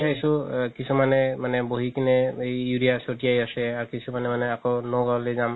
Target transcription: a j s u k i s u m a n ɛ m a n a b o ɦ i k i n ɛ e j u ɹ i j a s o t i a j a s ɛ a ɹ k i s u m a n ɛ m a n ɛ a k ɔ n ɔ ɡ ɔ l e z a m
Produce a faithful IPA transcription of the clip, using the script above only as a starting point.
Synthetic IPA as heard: a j s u k i s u m a n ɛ m a n ɛ b o ɦ i k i n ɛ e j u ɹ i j a s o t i a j a s ɛ a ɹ k i s u m a n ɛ m a n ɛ a k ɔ n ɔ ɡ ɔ l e z a m